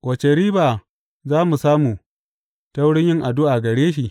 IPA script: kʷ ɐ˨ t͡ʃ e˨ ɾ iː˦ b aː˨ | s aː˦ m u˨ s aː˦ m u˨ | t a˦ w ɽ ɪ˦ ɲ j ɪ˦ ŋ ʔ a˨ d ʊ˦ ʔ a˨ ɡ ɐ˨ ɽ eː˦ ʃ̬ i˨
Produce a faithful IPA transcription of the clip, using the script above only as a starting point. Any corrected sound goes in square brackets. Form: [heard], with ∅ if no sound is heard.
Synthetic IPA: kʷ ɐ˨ t͡ʃ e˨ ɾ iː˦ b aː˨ | [z] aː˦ m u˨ s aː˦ m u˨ | t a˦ w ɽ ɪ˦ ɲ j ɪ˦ ŋ ʔ a˨ d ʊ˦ ʔ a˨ ɡ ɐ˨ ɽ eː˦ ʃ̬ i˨